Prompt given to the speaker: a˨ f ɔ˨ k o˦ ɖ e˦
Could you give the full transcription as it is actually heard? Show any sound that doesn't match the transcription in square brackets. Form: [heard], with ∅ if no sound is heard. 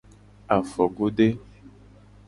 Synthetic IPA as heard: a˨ f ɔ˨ [ɡ] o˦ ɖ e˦

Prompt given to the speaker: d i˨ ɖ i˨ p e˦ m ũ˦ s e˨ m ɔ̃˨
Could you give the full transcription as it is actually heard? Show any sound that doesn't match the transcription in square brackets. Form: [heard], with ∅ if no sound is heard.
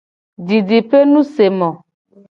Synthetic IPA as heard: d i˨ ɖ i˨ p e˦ [n] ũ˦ s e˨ m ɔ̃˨

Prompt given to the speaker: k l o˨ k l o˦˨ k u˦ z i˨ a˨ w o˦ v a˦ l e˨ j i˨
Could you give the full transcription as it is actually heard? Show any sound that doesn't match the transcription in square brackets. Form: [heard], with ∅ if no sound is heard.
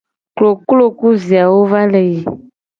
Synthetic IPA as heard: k l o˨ k l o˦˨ k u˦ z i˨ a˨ w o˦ v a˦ l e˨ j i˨

